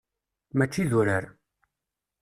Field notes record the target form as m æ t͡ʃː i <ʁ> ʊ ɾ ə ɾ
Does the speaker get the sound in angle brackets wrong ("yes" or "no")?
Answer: yes